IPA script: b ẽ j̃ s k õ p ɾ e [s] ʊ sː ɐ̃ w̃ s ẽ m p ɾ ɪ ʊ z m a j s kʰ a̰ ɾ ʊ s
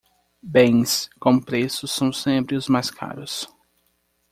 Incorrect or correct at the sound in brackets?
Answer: correct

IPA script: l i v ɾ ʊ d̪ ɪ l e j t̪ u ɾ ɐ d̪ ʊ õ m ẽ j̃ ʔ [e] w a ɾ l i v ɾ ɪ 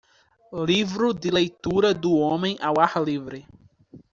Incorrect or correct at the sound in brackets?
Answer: incorrect: a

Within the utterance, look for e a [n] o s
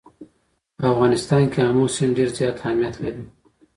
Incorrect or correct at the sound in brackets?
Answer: incorrect: m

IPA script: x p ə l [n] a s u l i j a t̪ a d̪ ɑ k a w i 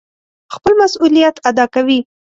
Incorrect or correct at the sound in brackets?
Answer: incorrect: m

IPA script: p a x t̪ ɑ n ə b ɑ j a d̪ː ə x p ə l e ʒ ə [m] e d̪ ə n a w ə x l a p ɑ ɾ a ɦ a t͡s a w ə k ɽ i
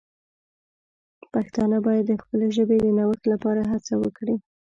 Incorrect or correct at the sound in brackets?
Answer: incorrect: b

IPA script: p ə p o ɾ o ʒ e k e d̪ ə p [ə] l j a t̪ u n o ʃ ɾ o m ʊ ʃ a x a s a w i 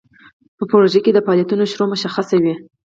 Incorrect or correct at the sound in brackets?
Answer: incorrect: ɑ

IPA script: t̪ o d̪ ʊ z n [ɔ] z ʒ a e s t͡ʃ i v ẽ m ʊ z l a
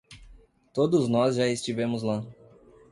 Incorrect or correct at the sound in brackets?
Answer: correct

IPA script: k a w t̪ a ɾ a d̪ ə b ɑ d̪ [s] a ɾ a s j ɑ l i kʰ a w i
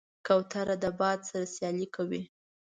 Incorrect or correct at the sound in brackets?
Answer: correct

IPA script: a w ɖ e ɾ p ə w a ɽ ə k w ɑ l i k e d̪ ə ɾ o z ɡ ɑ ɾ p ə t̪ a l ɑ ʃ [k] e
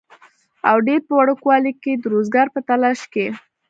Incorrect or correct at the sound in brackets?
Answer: correct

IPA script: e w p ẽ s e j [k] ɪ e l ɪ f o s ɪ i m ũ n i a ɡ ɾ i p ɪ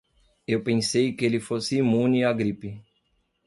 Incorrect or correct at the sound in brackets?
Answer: correct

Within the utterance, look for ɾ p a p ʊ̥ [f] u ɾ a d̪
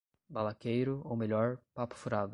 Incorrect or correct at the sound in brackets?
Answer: correct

